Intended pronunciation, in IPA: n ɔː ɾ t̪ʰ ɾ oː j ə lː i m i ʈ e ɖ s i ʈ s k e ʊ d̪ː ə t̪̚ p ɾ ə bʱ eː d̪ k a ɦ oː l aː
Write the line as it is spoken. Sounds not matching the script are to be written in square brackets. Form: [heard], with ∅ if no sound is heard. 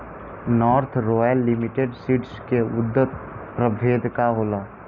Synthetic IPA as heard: n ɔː ɾ t̪ʰ ɾ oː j ə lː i m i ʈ e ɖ s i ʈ s k e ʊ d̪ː ə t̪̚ p ɾ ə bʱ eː d̪ k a ɦ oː l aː